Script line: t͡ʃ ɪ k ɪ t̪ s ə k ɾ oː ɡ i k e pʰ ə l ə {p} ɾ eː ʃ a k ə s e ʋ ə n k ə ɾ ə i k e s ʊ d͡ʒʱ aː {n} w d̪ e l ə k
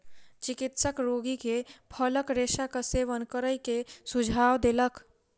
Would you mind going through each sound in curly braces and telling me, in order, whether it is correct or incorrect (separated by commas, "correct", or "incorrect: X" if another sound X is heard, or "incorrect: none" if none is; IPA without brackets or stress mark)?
incorrect: k, incorrect: none